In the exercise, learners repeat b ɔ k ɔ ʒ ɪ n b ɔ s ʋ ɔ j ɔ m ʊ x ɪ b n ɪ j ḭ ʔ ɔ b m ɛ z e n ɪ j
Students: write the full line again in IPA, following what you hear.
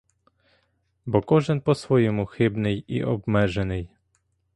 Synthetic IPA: b ɔ k ɔ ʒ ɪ n p ɔ s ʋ ɔ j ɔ m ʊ x ɪ b n ɪ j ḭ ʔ ɔ b m ɛ ʒ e n ɪ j